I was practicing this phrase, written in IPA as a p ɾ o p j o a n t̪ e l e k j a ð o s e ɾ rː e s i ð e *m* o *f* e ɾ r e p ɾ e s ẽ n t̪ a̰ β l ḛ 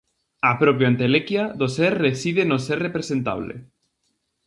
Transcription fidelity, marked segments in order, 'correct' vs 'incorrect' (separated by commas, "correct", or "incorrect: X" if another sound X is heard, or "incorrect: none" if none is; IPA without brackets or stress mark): incorrect: n, incorrect: s